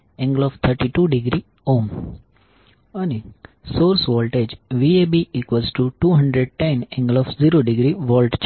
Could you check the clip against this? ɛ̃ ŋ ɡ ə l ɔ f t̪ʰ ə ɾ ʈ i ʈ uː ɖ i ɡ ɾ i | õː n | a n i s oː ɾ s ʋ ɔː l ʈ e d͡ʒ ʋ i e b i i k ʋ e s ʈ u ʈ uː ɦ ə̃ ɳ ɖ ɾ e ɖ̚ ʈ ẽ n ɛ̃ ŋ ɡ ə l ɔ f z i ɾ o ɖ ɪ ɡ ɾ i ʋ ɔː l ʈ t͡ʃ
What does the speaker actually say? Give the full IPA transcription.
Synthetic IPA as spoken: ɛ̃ ŋ ɡ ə l ɔ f t̪ʰ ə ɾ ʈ i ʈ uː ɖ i ɡ ɾ i | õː m | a n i s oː ɾ s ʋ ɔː l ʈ e d͡ʒ ʋ i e b i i k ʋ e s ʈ u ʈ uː ɦ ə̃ ɳ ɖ ɾ e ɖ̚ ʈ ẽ n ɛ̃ ŋ ɡ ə l ɔ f z i ɾ o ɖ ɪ ɡ ɾ i ʋ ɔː l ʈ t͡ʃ